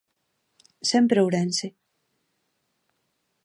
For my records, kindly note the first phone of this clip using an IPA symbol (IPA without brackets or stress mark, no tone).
s